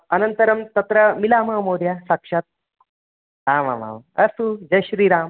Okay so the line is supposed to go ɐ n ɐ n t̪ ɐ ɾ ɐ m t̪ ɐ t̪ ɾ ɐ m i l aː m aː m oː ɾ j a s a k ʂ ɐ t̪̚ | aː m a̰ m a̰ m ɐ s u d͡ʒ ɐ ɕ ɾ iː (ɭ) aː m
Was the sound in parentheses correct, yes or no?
no